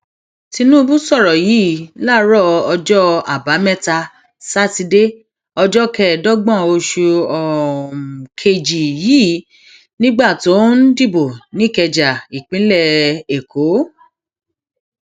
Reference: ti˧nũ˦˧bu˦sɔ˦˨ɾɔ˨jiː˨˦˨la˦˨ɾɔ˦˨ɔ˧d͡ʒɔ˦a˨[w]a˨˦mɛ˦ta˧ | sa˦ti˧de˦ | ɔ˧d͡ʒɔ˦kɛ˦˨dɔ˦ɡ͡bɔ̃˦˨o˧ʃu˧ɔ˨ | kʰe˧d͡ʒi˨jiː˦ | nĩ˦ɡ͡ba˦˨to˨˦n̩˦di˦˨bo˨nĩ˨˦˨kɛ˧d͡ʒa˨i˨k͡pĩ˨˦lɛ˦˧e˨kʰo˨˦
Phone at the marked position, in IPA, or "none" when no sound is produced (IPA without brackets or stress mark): b